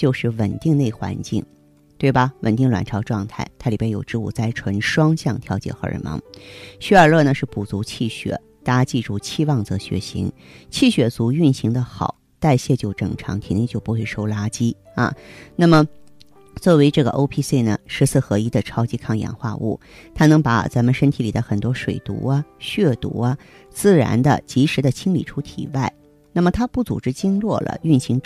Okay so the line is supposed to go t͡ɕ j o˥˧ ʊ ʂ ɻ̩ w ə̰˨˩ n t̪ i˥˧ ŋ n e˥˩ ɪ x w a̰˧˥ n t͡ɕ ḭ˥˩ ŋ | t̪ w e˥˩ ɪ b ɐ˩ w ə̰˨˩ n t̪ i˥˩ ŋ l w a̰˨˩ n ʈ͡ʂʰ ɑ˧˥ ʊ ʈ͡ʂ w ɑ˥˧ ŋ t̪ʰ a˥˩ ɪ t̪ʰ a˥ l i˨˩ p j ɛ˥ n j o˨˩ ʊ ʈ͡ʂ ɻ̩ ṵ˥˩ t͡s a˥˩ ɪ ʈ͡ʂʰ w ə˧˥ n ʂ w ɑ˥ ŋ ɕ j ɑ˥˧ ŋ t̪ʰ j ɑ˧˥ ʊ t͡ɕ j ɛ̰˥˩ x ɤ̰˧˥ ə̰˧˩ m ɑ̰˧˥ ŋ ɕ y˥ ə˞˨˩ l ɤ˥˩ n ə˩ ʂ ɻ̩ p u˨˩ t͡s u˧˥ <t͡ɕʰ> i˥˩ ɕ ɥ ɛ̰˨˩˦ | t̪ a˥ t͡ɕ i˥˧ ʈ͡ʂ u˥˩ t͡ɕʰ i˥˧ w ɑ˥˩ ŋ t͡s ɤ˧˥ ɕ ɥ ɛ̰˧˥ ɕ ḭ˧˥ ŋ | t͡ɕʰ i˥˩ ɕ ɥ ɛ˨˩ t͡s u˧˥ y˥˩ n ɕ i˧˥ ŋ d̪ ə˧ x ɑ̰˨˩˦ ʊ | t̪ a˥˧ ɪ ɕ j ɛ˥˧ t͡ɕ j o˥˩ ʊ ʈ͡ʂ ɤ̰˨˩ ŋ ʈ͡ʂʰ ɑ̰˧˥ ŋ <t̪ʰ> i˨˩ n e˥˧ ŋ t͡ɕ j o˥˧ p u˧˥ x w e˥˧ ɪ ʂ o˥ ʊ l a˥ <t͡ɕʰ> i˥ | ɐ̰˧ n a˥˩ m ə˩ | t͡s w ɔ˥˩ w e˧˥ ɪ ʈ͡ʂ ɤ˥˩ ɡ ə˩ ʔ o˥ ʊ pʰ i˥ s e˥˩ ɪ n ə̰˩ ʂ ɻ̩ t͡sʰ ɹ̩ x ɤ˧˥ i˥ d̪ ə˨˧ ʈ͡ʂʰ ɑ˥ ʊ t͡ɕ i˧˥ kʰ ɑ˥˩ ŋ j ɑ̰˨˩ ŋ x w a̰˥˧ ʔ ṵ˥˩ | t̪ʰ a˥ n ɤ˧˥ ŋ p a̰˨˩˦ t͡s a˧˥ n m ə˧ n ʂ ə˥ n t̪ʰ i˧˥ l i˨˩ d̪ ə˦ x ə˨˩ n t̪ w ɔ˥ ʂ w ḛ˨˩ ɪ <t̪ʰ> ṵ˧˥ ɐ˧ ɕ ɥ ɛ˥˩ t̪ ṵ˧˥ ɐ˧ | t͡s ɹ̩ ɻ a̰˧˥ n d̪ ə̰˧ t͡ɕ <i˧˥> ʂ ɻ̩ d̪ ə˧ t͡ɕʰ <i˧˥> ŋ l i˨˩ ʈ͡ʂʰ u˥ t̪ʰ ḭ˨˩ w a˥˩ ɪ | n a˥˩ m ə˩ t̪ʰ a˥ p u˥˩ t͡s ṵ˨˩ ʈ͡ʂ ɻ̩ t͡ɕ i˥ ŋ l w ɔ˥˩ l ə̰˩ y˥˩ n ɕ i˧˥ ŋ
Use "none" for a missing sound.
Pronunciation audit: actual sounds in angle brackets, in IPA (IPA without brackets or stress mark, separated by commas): t͡ɕʰ, t̪ʰ, t͡ɕ, t̪, i˧˥, i˥